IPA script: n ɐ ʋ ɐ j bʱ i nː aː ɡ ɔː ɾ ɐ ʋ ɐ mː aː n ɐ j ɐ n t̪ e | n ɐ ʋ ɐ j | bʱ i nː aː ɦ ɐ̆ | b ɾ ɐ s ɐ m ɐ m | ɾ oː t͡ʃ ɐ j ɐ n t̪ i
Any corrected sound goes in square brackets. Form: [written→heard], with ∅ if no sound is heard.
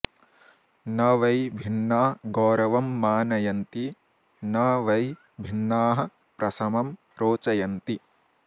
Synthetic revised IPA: n ɐ ʋ ɐ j bʱ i nː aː ɡ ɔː ɾ ɐ ʋ ɐ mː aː n ɐ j ɐ n t̪ [e→i] | n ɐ ʋ ɐ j | bʱ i nː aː ɦ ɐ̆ | [b→p] ɾ ɐ s ɐ m ɐ m | ɾ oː t͡ʃ ɐ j ɐ n t̪ i